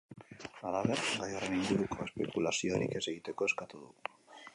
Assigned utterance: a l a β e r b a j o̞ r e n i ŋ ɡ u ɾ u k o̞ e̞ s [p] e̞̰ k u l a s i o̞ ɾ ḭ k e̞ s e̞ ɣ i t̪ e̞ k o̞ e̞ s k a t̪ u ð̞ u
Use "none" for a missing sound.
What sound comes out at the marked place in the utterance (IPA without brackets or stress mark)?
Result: p